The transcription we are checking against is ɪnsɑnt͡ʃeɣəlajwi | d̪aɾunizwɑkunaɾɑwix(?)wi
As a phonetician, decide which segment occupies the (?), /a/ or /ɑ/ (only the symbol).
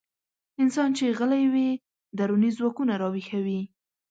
a